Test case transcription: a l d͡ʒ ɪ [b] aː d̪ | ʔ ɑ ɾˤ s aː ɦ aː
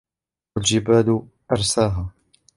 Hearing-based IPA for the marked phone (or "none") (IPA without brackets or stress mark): b